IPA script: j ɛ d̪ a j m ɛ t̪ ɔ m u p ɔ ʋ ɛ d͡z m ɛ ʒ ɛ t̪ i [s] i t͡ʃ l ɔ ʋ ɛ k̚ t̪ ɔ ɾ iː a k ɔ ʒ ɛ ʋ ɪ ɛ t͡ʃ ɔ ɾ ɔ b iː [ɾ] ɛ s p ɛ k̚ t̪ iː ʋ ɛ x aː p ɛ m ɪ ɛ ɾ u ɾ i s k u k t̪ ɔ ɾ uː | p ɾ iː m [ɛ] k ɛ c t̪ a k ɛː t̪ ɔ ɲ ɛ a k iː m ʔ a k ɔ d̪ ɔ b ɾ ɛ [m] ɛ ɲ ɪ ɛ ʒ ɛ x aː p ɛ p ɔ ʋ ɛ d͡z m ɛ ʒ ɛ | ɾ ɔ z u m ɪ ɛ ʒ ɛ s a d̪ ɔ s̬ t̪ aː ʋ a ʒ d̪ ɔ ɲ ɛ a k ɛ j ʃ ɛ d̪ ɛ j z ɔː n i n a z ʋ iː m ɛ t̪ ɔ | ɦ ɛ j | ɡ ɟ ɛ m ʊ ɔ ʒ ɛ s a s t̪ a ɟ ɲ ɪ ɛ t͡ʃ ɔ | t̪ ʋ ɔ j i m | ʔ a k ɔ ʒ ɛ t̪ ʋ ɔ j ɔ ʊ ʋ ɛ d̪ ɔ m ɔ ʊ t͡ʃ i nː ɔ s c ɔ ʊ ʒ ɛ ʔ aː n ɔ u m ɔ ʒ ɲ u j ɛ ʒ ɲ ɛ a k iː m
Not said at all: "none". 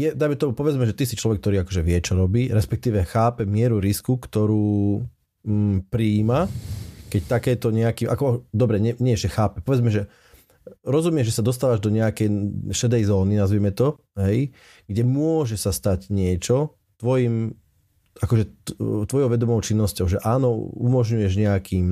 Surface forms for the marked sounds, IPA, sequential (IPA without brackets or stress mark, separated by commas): s, ɾ, a, ɲ